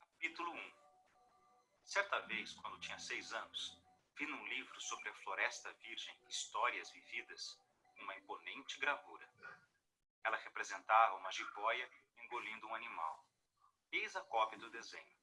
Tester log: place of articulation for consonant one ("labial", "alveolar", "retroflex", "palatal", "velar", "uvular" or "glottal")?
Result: velar